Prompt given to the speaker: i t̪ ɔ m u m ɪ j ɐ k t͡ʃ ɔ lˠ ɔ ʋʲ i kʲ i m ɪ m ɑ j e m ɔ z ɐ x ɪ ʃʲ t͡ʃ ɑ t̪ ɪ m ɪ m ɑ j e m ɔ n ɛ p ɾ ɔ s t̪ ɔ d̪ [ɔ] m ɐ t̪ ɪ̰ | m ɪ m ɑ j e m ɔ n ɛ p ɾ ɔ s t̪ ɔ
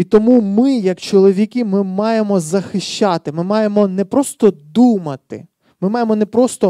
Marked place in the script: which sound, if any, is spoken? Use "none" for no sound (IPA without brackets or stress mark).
u